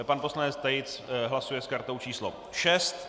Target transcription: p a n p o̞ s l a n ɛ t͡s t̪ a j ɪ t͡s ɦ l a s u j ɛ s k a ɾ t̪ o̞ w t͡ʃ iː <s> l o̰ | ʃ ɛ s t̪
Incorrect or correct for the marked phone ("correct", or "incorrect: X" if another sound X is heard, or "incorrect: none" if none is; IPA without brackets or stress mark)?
correct